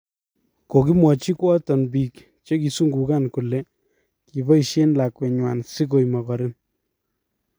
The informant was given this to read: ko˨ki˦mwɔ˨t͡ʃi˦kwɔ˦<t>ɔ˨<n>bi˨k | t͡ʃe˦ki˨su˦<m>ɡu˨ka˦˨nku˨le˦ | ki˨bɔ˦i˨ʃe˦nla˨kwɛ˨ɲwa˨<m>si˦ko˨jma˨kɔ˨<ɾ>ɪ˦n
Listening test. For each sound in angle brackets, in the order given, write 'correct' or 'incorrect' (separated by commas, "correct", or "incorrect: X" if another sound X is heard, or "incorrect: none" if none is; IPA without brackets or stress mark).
correct, correct, incorrect: ŋ, incorrect: n, correct